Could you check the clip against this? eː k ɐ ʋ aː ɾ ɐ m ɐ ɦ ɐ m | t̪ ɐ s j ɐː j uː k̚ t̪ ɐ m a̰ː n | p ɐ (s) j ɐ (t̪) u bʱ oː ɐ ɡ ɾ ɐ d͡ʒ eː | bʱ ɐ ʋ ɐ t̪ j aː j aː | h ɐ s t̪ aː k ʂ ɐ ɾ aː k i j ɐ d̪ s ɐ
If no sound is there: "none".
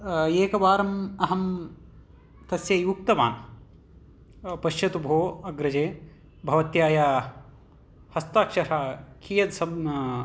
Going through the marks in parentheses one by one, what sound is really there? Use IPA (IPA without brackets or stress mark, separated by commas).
ʃ, t̪